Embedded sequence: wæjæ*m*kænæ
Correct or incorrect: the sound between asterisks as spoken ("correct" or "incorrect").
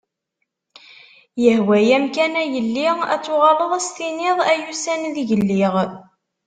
correct